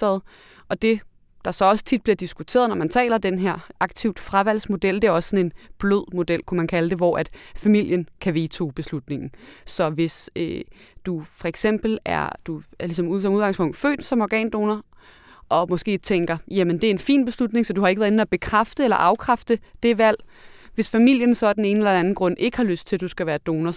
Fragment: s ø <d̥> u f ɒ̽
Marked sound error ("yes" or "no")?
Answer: no